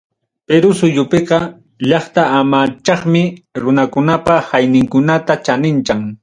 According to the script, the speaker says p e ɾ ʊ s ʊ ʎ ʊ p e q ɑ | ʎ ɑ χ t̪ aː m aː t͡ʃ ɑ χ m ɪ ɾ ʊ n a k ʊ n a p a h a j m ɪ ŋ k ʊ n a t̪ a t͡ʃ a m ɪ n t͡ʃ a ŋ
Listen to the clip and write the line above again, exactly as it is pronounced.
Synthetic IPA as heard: p e ɾ ʊ s ʊ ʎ ʊ p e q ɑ | ʎ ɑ χ t̪ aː m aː t͡ʃ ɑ χ m ɪ ɾ ʊ n a k ʊ n a p a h a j n ɪ ŋ k ʊ n a t̪ a t͡ʃ a n ɪ n t͡ʃ a ŋ